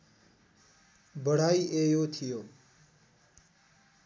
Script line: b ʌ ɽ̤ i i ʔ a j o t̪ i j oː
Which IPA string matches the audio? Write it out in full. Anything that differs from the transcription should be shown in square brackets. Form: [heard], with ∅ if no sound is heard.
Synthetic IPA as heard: b [ə] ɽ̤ [a] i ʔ [e] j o [t̪ʰ] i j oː